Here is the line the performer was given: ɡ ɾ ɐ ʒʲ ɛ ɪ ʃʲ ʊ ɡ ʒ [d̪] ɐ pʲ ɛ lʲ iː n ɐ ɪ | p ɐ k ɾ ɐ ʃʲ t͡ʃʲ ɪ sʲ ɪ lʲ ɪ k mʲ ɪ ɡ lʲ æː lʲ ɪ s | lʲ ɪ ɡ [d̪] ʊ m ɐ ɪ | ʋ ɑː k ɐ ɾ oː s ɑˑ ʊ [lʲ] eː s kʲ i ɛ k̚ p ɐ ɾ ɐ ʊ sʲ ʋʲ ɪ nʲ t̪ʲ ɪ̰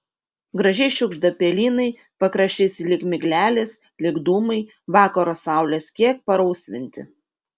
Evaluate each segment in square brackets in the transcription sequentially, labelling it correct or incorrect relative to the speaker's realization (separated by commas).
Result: correct, correct, correct